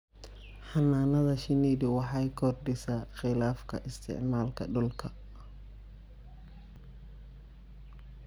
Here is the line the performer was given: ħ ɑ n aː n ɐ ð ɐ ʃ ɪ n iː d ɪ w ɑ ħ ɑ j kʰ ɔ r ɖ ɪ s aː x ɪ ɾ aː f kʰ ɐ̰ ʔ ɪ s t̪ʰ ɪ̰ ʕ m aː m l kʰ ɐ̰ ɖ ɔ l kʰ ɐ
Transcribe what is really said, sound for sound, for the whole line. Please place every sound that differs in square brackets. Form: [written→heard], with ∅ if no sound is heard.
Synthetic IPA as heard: ħ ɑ n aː n ɐ ð ɐ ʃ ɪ n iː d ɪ w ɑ ħ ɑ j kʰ ɔ r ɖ ɪ s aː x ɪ [ɾ→l] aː f kʰ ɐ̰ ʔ ɪ s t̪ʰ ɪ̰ ʕ m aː [m→∅] l kʰ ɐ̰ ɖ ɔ l kʰ ɐ